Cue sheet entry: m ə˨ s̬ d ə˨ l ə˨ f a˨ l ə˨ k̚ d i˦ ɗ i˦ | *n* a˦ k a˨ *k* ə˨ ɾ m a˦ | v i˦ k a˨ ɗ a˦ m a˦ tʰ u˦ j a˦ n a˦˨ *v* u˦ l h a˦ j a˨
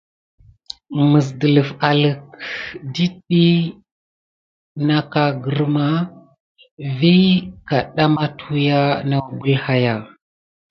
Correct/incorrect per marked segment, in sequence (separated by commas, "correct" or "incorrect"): correct, incorrect, incorrect